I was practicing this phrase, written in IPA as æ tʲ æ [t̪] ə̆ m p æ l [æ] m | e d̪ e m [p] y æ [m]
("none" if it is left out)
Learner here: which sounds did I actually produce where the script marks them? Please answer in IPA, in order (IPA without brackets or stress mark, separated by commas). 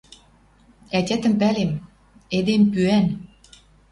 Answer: t̪, e, p, n